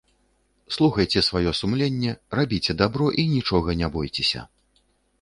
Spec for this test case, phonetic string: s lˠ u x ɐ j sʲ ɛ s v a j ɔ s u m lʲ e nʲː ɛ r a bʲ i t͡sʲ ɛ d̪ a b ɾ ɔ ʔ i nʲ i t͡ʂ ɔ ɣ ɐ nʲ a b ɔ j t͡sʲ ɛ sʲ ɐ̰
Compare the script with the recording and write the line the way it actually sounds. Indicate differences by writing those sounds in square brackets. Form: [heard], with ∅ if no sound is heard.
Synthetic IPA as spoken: s lˠ u x ɐ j [t͡sʲ] ɛ s v a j ɔ s u m lʲ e nʲː ɛ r a bʲ i t͡sʲ ɛ d̪ a b ɾ ɔ ʔ i nʲ i t͡ʂ ɔ ɣ ɐ nʲ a b ɔ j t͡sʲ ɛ sʲ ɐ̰